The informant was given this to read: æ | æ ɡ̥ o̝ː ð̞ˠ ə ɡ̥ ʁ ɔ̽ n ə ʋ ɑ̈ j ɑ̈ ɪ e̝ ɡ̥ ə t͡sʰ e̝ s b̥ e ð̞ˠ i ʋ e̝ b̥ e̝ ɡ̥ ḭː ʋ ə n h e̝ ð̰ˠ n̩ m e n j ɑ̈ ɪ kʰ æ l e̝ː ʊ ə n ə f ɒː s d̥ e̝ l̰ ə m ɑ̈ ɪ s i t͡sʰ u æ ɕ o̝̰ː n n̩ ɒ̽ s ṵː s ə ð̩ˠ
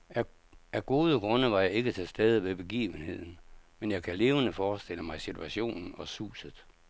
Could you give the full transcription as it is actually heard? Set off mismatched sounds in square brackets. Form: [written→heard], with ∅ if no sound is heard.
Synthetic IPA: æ | æ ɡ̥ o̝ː ð̞ˠ ə ɡ̥ ʁ ɔ̽ n ə ʋ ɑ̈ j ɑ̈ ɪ e̝ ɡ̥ ə t͡sʰ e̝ s [b̥→d̥] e ð̞ˠ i ʋ e̝ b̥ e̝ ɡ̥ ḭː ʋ ə n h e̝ ð̰ˠ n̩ m e n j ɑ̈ ɪ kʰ æ l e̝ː ʊ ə n ə f ɒː s d̥ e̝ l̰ ə m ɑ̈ ɪ s i t͡sʰ u æ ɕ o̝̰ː n n̩ ɒ̽ s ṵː s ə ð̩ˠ